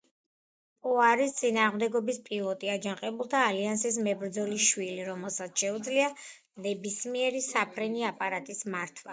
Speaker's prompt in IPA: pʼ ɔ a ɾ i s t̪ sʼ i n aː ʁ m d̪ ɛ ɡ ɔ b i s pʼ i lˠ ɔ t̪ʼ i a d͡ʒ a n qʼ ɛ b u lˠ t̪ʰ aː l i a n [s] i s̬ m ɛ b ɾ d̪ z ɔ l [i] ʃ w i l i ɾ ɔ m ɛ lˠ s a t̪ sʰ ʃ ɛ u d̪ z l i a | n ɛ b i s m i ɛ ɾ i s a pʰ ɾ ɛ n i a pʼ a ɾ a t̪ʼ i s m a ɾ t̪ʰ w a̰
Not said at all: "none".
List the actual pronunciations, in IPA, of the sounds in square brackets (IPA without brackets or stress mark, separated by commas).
s, i